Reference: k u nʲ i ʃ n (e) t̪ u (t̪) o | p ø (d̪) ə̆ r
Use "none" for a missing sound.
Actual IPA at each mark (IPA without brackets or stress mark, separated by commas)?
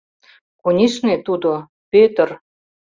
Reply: e, d̪, t̪